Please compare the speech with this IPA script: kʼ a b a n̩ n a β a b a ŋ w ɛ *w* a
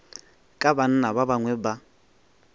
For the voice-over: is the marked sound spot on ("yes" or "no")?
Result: no